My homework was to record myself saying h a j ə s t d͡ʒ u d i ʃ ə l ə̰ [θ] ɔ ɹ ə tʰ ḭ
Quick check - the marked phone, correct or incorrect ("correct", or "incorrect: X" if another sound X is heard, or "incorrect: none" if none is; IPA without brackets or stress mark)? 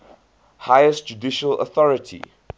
correct